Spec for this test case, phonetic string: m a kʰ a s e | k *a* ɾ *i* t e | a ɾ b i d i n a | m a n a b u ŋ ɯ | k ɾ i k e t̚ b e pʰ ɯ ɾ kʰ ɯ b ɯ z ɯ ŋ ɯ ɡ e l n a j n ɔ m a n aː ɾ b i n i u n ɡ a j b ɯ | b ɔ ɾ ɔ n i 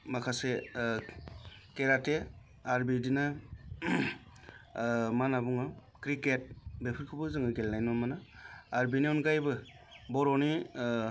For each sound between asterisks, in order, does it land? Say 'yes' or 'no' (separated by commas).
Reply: no, no